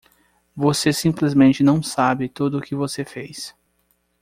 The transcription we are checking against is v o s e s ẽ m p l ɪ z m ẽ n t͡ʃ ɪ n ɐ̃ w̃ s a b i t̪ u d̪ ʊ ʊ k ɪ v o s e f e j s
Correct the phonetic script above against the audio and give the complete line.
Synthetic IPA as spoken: v o s e s ĩ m p l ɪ z m ẽ n t͡ʃ ɪ n ɐ̃ w̃ s a b ɪ t̪ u d̪ ʊ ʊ k ɪ v o s e f e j s